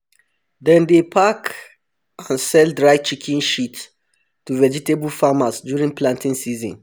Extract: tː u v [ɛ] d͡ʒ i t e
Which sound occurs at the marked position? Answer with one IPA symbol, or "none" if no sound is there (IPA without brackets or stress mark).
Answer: ɛ